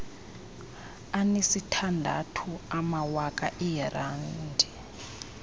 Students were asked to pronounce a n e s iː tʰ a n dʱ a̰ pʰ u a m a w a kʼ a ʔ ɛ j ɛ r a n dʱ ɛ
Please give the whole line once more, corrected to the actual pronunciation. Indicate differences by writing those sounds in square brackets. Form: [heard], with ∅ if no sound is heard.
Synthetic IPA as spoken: a n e s [i] tʰ a n dʱ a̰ [tʰ] u a m a w a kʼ a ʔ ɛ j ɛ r a n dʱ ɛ